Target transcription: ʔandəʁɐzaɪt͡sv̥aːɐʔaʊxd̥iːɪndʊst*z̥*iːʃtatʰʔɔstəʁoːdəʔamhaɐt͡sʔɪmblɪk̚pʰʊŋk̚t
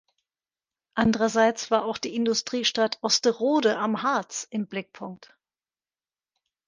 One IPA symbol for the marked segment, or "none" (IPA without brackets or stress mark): ʁ̥